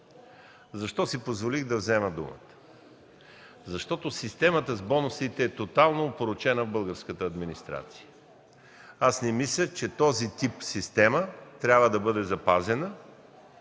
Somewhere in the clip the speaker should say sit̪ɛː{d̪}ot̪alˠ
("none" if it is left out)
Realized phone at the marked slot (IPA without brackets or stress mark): t̪